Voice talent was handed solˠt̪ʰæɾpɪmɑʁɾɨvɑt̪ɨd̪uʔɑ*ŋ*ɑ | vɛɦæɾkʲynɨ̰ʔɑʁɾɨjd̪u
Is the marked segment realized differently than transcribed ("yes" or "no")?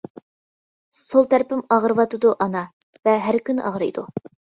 yes